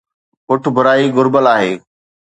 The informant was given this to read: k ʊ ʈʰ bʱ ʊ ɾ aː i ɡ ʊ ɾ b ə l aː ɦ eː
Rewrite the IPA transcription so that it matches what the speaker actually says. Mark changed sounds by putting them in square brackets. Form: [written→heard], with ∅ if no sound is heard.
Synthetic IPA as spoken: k ʊ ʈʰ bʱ ʊ ɾ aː i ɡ ʊ ɾ b ə l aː ɦ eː